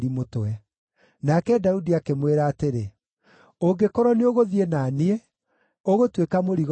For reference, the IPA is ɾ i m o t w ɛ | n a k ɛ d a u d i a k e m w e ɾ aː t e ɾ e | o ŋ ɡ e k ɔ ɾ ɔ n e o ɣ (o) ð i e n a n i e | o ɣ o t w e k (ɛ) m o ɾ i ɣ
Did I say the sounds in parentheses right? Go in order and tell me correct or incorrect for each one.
correct, incorrect

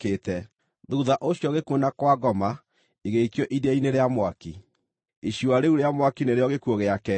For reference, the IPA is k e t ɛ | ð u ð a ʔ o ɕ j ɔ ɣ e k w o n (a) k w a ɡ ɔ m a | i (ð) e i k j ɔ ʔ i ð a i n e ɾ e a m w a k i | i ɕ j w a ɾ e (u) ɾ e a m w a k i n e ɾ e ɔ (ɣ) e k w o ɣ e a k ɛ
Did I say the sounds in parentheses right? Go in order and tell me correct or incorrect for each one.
correct, incorrect, correct, correct

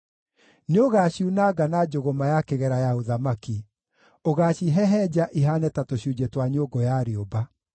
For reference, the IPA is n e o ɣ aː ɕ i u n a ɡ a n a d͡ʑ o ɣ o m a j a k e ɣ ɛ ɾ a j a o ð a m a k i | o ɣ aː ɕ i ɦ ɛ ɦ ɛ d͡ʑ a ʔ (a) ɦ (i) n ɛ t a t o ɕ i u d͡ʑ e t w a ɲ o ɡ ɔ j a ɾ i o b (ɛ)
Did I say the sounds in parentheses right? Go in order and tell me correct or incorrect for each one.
incorrect, incorrect, incorrect

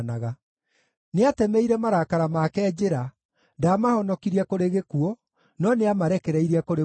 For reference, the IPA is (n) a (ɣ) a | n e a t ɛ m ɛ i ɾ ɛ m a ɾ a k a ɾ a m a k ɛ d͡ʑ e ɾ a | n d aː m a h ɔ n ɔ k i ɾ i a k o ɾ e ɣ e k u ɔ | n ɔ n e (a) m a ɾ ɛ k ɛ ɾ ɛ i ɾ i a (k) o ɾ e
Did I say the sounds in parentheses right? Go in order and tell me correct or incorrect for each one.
correct, correct, correct, correct

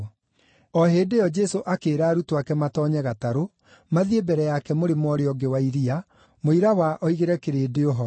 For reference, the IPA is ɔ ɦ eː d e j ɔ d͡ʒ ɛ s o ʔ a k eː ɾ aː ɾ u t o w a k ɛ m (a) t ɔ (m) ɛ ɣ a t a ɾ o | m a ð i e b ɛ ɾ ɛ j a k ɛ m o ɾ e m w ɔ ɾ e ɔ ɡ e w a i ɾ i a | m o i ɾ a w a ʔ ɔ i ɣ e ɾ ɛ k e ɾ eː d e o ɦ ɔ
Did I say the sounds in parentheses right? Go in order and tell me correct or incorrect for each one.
correct, incorrect

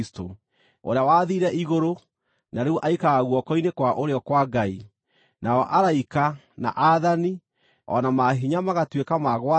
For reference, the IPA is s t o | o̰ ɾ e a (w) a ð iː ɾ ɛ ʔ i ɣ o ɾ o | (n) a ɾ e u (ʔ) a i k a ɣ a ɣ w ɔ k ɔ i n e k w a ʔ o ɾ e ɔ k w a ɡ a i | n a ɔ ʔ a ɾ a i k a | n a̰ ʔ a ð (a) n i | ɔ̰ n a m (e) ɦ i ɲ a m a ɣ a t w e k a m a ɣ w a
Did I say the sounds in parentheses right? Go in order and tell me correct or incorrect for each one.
correct, correct, correct, correct, incorrect

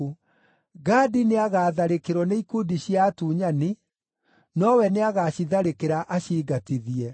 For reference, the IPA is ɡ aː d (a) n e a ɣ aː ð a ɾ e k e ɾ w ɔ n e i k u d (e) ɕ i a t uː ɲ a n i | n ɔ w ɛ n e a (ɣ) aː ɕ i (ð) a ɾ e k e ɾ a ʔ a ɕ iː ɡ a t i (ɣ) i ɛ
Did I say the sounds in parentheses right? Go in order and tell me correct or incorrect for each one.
incorrect, incorrect, correct, correct, incorrect

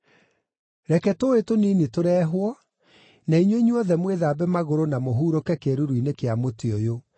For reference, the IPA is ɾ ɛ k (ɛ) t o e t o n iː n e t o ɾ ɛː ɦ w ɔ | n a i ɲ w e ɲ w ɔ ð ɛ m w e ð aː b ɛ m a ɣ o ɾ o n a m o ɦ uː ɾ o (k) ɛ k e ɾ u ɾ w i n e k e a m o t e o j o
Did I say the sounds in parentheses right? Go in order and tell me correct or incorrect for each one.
correct, correct

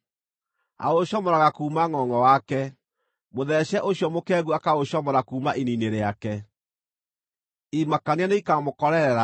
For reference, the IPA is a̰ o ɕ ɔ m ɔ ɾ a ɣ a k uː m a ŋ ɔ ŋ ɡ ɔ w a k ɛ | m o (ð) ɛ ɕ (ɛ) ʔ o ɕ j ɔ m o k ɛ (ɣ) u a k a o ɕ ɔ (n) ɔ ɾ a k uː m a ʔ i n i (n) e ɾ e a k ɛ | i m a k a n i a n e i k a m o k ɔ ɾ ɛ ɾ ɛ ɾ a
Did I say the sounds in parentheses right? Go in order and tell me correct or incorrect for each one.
correct, correct, correct, incorrect, correct

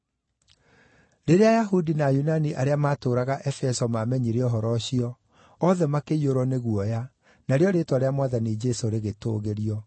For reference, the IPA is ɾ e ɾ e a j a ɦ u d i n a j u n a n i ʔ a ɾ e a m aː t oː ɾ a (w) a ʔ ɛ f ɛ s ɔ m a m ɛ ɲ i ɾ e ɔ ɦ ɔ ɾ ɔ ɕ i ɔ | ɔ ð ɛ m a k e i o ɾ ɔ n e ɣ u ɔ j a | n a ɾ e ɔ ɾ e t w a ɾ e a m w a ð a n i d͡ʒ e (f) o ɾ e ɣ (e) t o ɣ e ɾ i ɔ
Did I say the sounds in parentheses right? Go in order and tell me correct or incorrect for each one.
incorrect, incorrect, correct

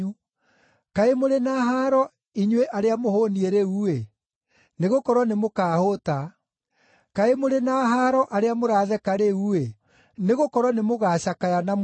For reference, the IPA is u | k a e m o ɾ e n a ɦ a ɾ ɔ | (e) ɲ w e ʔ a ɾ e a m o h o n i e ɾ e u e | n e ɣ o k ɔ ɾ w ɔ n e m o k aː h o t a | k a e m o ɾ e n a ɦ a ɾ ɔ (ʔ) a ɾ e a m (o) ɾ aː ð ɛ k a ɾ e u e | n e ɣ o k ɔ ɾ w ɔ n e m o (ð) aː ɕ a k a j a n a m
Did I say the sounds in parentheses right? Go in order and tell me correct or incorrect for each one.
incorrect, correct, correct, incorrect

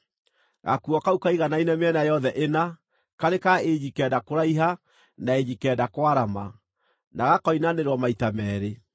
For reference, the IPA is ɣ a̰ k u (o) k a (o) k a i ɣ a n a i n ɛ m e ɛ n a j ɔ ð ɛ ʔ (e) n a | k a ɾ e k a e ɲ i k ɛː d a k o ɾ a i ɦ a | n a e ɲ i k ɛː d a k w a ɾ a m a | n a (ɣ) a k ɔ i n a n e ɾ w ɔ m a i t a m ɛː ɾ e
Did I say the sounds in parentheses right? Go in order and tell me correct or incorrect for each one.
incorrect, incorrect, correct, correct

